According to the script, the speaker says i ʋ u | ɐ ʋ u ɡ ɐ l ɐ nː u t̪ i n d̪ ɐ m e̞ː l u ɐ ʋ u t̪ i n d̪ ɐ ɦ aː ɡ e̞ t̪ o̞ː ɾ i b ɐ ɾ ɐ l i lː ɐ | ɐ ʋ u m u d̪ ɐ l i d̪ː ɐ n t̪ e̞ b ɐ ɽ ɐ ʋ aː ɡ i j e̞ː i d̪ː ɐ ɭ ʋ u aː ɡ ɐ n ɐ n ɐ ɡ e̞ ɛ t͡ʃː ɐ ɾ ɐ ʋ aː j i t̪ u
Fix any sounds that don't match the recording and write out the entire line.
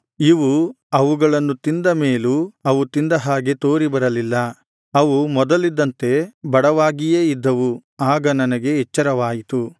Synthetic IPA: i ʋ u | ɐ ʋ u ɡ ɐ ɭ ɐ nː u t̪ i n d̪ ɐ m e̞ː l u ɐ ʋ u t̪ i n d̪ ɐ ɦ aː ɡ e̞ t̪ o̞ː ɾ i b ɐ ɾ ɐ l i lː ɐ | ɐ ʋ u m ɔ d̪ ɐ l i d̪ː ɐ n t̪ e̞ b ɐ ɽ ɐ ʋ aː ɡ i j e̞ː i d̪ː ɐ ʋ u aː ɡ ɐ n ɐ n ɐ ɡ e̞ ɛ t͡ʃː ɐ ɾ ɐ ʋ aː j i t̪ u

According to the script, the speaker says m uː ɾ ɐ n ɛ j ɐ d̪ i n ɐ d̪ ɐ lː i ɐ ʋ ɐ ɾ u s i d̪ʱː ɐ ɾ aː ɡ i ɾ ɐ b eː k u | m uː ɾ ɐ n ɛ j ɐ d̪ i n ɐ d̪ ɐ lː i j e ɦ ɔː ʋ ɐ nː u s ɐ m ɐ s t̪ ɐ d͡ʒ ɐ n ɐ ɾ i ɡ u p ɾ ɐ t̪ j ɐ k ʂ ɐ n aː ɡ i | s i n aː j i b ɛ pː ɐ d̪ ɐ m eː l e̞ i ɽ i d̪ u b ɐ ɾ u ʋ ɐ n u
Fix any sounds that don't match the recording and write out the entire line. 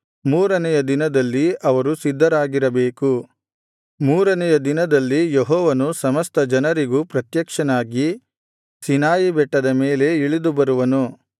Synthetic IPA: m uː ɾ ɐ n ɛ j ɐ d̪ i n ɐ d̪ ɐ lː i ɐ ʋ ɐ ɾ u s i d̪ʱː ɐ ɾ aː ɡ i ɾ ɐ b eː k u | m uː ɾ ɐ n ɛ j ɐ d̪ i n ɐ d̪ ɐ lː i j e ɦ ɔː ʋ ɐ n u s ɐ m ɐ s t̪ ɐ d͡ʒ ɐ n ɐ ɾ i ɡ u p ɾ ɐ t̪ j ɐ k ʂ ɐ n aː ɡ i | s i n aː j i b ɛ ʈː ɐ d̪ ɐ m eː l e̞ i ɭ i d̪ u b ɐ ɾ u ʋ ɐ n u

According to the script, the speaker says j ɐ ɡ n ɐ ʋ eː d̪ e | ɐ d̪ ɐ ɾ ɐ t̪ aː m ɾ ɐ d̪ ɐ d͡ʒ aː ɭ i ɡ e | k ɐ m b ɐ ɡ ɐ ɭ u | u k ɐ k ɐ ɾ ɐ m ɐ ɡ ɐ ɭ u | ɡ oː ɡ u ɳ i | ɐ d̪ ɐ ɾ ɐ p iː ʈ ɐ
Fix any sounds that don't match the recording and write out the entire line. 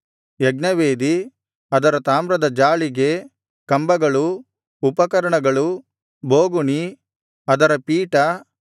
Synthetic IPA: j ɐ ɡ n ɐ ʋ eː d̪ i | ɐ d̪ ɐ ɾ ɐ t̪ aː m ɾ ɐ d̪ ɐ d͡ʒ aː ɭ i ɡ e | k ɐ m b ɐ ɡ ɐ ɭ u | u p ɐ k ɐ ɾ ɐ ɳ ɐ ɡ ɐ ɭ u | b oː ɡ u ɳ i | ɐ d̪ ɐ ɾ ɐ p iː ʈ ɐ

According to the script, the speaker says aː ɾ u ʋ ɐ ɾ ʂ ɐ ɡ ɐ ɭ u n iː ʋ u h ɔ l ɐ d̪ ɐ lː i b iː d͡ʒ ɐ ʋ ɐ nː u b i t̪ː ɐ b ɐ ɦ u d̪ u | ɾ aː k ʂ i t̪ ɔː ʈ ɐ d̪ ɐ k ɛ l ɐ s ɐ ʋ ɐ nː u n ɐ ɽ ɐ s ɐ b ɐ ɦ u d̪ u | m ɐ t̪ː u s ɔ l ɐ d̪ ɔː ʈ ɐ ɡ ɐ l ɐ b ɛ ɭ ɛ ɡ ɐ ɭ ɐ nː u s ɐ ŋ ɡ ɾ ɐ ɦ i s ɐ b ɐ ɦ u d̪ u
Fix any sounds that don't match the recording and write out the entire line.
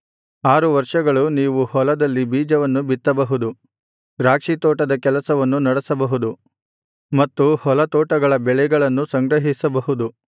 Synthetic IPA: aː ɾ u ʋ ɐ ɾ ʂ ɐ ɡ ɐ ɭ u n iː ʋ u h ɔ l ɐ d̪ ɐ lː i b iː d͡ʒ ɐ ʋ ɐ nː u b i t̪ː ɐ b ɐ ɦ u d̪ u | ɾ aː k ʂ i t̪ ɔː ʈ ɐ d̪ ɐ k ɛ l ɐ s ɐ ʋ ɐ nː u n ɐ ɽ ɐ s ɐ b ɐ ɦ u d̪ u | m ɐ t̪ː u h ɔ l ɐ t̪ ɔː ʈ ɐ ɡ ɐ ɭ ɐ b ɛ ɭ ɛ ɡ ɐ ɭ ɐ nː u s ɐ ŋ ɡ ɾ ɐ ɦ i s ɐ b ɐ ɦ u d̪ u

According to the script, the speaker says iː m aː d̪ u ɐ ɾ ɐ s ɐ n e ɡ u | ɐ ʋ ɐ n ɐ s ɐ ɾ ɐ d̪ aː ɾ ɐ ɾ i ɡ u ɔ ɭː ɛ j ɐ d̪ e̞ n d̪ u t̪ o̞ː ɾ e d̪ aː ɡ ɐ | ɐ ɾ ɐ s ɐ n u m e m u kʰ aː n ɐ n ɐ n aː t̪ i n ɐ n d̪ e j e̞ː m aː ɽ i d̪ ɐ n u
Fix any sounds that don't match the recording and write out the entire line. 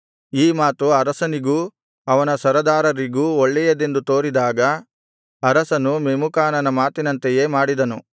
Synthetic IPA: iː m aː t̪ u ɐ ɾ ɐ s ɐ n i ɡ u | ɐ ʋ ɐ n ɐ s ɐ ɾ ɐ d̪ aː ɾ ɐ ɾ i ɡ u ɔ ɭː ɛ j ɐ d̪ e̞ n d̪ u t̪ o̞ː ɾ i d̪ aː ɡ ɐ | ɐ ɾ ɐ s ɐ n u m e m u k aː n ɐ n ɐ m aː t̪ i n ɐ n t̪ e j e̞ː m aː ɽ i d̪ ɐ n u

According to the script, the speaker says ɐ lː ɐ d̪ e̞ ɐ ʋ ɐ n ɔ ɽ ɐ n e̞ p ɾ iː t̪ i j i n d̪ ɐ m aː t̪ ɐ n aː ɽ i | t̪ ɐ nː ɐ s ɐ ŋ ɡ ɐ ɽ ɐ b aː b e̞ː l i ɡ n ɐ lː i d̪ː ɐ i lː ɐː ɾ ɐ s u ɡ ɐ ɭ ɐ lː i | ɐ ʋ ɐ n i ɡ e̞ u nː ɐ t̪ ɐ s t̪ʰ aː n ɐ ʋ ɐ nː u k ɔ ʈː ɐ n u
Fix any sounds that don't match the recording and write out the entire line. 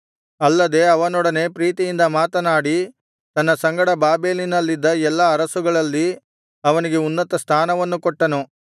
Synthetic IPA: ɐ lː ɐ d̪ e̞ ɐ ʋ ɐ n ɔ ɽ ɐ n e̞ p ɾ iː t̪ i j i n d̪ ɐ m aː t̪ ɐ n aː ɽ i | t̪ ɐ nː ɐ s ɐ ŋ ɡ ɐ ɽ ɐ b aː b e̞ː l i n ɐ lː i d̪ː ɐ ɛ lː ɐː ɾ ɐ s u ɡ ɐ ɭ ɐ lː i | ɐ ʋ ɐ n i ɡ e̞ u nː ɐ t̪ ɐ s t̪ʰ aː n ɐ ʋ ɐ nː u k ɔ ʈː ɐ n u

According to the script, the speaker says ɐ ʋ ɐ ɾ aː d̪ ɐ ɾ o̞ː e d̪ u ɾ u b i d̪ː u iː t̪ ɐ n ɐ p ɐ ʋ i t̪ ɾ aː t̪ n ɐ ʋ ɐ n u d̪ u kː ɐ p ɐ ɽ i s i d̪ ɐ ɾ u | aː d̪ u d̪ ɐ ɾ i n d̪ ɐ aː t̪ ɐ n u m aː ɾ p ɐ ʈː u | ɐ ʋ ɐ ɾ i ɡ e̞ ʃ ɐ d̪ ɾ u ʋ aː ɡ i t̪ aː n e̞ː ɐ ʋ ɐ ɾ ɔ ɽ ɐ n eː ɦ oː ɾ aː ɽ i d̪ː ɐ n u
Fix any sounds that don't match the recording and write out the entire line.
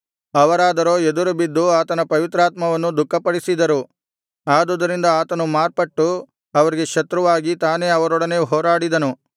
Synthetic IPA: ɐ ʋ ɐ ɾ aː d̪ ɐ ɾ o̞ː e d̪ u ɾ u b i d̪ː u aː t̪ ɐ n ɐ p ɐ ʋ i t̪ ɾ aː t̪ m ɐ ʋ ɐ nː u d̪ u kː ɐ p ɐ ɽ i s i d̪ ɐ ɾ u | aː d̪ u d̪ ɐ ɾ i n d̪ ɐ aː t̪ ɐ n u m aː ɾ p ɐ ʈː u | ɐ ʋ ɐ ɾ i ɡ e̞ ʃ ɐ t̪ ɾ u ʋ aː ɡ i t̪ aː n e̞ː ɐ ʋ ɐ ɾ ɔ ɽ ɐ n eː ɦ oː ɾ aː ɽ i d̪ ɐ n u

